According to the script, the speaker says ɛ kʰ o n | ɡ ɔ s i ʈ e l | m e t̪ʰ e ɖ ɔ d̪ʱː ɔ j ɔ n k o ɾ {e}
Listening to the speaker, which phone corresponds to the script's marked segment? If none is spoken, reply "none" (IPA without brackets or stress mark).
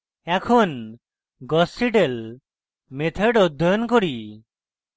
i